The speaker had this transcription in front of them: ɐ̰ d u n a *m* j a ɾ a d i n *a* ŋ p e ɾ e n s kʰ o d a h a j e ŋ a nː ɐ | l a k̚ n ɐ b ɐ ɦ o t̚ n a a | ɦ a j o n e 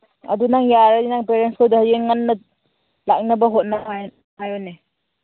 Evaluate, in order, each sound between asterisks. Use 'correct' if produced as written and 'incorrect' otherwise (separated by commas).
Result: incorrect, correct